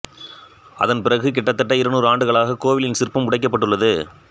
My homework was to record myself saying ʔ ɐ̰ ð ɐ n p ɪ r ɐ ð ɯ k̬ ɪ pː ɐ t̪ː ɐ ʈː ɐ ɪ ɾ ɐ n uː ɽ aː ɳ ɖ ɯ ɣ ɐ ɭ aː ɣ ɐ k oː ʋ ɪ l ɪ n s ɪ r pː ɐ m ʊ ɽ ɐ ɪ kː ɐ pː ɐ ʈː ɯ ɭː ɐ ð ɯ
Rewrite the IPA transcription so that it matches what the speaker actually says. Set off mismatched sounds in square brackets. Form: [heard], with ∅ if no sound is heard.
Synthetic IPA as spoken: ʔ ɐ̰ ð ɐ n p ɪ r ɐ [ɣ] ɯ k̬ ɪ [ʈː] ɐ t̪ː ɐ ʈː ɐ ɪ ɾ ɐ n uː [ɾ] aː ɳ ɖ ɯ ɣ ɐ ɭ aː ɣ ɐ k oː ʋ ɪ l ɪ n s ɪ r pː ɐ m ʊ ɽ ɐ ɪ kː ɐ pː ɐ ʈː ɯ ɭː ɐ ð ɯ